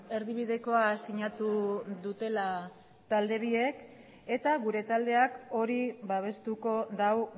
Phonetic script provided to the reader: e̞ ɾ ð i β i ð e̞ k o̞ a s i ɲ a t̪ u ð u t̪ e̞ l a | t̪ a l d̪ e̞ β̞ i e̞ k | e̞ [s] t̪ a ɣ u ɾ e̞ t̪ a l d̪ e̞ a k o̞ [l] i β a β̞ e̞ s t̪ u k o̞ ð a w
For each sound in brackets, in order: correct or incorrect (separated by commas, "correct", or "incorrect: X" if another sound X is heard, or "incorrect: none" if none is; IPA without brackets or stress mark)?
incorrect: none, incorrect: ɾ